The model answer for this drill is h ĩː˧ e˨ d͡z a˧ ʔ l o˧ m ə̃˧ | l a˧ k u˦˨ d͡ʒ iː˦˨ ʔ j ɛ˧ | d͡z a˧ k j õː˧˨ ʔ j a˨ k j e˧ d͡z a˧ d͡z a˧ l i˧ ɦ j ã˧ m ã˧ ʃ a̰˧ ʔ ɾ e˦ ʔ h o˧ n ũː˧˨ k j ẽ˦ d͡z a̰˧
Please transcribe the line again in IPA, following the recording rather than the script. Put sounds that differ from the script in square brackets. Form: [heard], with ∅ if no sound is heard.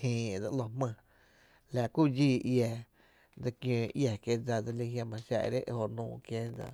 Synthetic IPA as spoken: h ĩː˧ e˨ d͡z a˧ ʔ l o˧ m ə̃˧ | l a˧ k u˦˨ d͡ʒ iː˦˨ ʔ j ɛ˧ | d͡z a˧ k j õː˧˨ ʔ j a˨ k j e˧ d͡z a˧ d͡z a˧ l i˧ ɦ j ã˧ m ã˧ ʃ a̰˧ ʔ ɾ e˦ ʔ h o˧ n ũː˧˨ k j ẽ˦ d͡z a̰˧